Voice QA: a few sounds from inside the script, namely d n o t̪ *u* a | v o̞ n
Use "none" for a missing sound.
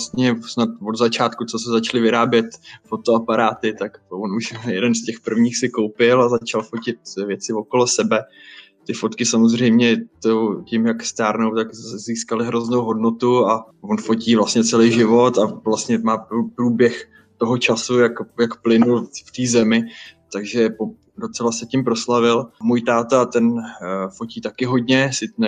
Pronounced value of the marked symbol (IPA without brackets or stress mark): u